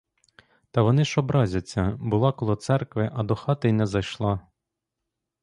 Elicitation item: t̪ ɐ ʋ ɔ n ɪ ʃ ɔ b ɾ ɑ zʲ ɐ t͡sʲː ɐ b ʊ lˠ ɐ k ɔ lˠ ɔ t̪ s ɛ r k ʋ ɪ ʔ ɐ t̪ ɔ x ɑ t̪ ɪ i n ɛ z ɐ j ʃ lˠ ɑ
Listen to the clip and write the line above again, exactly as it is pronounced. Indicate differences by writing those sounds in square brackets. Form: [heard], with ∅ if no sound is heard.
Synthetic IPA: t̪ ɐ ʋ ɔ n ɪ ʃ ɔ b ɾ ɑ zʲ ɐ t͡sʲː ɐ b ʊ lˠ [ɑ] k ɔ lˠ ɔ t̪ s ɛ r k ʋ ɪ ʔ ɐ [d̪] ɔ x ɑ t̪ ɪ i n ɛ z ɐ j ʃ lˠ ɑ